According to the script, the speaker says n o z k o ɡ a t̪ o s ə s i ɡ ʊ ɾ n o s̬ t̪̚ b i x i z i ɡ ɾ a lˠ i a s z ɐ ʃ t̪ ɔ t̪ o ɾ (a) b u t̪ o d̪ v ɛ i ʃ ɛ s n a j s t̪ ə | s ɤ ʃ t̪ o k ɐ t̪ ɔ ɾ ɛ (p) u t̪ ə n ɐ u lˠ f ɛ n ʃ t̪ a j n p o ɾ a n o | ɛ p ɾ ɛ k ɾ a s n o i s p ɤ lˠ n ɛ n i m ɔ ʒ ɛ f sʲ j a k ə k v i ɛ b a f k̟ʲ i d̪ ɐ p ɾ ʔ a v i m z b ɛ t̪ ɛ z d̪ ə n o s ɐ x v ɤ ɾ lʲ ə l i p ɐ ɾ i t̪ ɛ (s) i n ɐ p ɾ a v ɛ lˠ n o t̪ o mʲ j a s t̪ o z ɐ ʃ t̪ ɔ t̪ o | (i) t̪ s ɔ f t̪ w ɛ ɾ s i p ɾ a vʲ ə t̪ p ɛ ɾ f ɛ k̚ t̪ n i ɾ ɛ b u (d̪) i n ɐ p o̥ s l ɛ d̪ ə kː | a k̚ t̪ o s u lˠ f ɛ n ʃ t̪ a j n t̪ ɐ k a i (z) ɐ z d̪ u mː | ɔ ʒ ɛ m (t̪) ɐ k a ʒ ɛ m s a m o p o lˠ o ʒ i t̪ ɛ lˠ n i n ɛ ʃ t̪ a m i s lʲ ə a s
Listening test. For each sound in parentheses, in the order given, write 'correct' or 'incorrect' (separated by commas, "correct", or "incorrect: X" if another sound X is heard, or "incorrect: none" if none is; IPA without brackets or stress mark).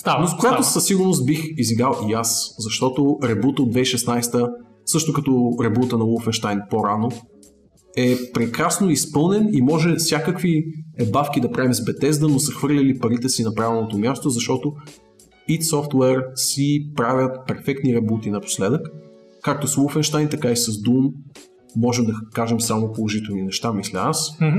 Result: incorrect: ɛ, incorrect: b, correct, correct, incorrect: t̪, incorrect: s, incorrect: d̪